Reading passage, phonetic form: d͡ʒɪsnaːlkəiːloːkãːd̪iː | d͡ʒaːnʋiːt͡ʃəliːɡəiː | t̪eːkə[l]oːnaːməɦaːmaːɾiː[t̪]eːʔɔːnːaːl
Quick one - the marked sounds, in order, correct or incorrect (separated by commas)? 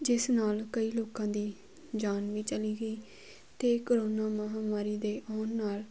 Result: incorrect, incorrect